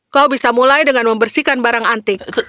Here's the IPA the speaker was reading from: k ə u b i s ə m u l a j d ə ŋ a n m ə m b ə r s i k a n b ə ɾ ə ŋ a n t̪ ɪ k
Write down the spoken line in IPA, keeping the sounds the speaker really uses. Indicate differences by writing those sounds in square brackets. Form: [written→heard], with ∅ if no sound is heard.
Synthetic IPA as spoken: k [ə→a] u b i s [ə→a] m u l a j d ə ŋ a n m ə m b ə r s i k a n b [ə→a] ɾ [ə→a] ŋ a n t̪ ɪ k